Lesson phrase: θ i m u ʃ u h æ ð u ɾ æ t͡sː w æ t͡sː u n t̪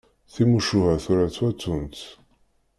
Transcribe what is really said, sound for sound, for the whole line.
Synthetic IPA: θ i m u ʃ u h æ θ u ɾ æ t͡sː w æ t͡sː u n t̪